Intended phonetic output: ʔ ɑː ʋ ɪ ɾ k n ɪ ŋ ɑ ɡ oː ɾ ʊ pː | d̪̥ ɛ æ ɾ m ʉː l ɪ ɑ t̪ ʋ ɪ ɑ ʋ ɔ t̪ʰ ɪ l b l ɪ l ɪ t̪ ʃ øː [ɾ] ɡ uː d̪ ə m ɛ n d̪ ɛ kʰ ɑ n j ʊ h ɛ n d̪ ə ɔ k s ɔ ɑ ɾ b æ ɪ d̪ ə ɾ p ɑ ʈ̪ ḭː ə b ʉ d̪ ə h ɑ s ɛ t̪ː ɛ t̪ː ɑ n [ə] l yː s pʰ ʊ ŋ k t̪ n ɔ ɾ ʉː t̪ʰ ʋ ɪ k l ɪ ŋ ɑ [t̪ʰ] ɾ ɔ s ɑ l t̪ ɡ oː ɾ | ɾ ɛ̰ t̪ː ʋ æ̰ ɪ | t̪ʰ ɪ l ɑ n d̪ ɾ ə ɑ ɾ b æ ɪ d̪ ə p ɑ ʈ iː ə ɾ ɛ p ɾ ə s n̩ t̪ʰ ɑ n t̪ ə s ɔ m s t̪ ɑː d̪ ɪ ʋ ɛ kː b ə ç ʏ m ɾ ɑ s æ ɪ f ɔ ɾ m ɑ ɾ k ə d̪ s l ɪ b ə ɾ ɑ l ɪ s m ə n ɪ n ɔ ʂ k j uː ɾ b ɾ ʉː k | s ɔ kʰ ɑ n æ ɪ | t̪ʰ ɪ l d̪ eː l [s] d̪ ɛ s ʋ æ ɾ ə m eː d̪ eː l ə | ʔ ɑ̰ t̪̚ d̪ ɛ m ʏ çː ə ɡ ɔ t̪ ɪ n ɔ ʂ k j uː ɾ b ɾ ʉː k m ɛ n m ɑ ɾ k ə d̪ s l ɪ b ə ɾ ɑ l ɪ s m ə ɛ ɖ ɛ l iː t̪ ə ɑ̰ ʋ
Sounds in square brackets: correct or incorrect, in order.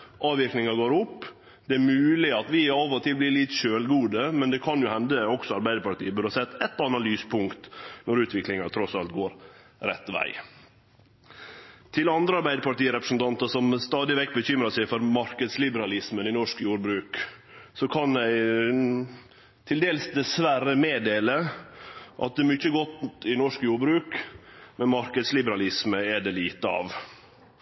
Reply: incorrect: l, incorrect: ɑ, correct, correct

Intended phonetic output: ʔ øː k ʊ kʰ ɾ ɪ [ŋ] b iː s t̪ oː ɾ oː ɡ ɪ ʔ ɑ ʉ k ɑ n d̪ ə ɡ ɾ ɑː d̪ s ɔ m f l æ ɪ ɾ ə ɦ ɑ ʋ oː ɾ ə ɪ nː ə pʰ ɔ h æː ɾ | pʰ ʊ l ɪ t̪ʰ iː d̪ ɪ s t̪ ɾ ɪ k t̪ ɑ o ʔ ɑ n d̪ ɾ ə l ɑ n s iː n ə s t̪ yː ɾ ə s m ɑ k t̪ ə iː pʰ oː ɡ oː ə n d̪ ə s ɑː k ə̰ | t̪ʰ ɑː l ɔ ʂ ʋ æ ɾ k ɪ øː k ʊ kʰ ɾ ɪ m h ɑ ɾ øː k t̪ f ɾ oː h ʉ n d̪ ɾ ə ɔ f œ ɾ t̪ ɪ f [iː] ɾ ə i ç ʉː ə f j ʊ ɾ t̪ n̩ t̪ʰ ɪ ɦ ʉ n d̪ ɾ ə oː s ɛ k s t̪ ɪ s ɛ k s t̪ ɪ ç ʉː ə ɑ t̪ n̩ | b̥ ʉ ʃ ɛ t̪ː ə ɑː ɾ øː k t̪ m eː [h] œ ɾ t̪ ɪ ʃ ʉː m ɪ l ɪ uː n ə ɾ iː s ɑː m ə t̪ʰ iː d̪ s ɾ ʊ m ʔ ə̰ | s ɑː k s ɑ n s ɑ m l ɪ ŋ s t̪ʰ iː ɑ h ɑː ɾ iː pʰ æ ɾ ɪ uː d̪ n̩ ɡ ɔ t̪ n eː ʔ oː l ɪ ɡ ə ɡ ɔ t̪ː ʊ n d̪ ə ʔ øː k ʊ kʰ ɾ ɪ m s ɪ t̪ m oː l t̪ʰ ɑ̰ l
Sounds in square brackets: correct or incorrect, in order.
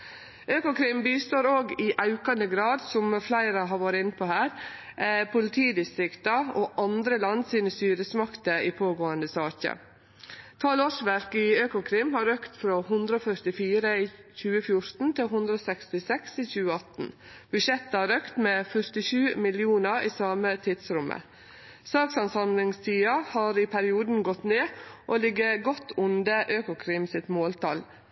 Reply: incorrect: m, correct, incorrect: f

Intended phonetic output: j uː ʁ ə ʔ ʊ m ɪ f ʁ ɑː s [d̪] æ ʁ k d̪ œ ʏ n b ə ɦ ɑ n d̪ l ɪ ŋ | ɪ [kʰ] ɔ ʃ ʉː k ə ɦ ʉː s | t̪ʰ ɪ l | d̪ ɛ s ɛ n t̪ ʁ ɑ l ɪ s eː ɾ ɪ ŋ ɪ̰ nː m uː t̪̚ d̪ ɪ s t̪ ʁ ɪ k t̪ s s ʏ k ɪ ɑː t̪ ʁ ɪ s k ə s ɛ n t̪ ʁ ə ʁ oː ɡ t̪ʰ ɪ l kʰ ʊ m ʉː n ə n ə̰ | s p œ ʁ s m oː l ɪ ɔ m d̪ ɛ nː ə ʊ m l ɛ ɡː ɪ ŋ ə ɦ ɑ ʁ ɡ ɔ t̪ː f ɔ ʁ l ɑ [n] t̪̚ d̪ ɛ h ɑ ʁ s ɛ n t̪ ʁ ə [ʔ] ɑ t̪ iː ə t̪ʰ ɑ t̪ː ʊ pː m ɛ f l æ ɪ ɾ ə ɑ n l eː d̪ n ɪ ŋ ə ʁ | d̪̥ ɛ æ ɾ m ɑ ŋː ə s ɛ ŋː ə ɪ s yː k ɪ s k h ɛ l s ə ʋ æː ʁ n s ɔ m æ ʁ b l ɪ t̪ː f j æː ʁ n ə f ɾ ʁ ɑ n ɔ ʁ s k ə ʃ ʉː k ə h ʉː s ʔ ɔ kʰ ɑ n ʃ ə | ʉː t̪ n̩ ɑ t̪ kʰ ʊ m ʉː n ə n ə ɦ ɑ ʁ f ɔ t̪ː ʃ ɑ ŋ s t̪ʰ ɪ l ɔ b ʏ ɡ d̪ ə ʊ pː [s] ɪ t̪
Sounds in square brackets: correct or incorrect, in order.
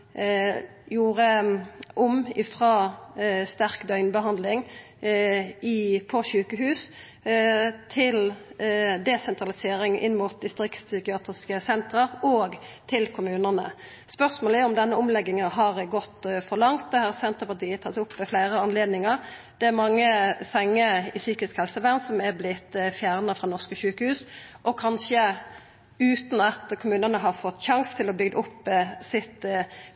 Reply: incorrect: t̪, incorrect: pʰ, incorrect: ŋ, incorrect: p, correct

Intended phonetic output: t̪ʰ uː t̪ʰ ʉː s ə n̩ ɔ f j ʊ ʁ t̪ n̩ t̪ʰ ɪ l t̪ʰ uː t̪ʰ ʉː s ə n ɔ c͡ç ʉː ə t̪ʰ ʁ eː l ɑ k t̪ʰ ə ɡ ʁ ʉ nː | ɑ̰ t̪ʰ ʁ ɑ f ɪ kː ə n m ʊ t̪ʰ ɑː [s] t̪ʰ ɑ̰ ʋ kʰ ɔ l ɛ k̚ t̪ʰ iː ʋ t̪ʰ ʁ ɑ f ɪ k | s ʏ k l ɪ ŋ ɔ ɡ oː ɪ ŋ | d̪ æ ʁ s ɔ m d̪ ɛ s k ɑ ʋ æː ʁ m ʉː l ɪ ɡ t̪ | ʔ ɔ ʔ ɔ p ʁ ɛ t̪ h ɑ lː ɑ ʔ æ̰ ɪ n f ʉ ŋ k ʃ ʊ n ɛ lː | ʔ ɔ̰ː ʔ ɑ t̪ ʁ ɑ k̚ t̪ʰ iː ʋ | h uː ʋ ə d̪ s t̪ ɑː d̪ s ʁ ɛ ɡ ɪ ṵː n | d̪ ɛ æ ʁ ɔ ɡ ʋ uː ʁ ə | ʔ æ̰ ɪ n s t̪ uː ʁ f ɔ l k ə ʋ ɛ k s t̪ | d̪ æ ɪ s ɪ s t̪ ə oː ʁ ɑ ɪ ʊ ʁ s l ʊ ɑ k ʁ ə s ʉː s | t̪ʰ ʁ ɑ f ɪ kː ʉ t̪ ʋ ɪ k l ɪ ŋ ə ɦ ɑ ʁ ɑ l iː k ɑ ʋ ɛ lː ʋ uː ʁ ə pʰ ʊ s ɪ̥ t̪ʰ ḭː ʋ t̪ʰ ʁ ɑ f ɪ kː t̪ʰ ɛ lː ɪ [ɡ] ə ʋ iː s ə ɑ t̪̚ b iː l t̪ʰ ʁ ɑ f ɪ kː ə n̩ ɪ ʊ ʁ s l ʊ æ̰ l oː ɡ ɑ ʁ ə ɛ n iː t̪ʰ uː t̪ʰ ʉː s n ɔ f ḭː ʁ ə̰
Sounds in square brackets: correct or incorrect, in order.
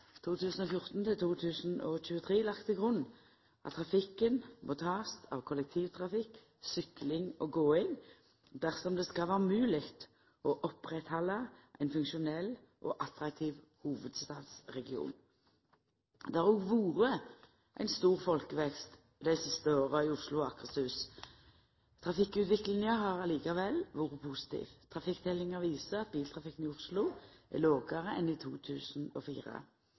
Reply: correct, incorrect: ŋ

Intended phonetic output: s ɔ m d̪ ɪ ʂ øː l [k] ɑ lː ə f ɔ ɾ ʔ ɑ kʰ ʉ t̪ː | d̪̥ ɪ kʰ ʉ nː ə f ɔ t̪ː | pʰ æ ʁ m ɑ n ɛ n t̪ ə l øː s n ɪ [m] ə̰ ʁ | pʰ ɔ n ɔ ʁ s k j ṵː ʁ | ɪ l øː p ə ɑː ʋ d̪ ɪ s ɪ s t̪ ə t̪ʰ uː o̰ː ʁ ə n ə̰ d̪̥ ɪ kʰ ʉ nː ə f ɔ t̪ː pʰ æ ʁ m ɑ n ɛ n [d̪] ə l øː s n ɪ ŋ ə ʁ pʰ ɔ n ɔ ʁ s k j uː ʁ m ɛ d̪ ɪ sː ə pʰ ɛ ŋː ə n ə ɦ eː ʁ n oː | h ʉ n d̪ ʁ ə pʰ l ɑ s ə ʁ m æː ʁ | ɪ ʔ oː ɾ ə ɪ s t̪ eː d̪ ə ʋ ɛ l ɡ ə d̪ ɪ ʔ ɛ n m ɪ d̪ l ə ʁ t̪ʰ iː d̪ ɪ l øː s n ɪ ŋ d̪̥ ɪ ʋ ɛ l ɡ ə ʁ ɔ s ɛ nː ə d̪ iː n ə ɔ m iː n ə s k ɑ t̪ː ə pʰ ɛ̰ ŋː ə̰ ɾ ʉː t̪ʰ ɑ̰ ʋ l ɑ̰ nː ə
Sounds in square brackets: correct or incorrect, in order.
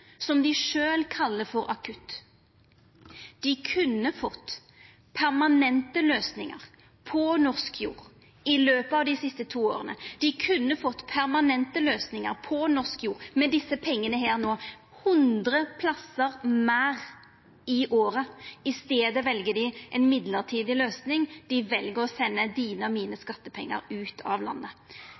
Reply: incorrect: kʰ, incorrect: ŋ, incorrect: t̪

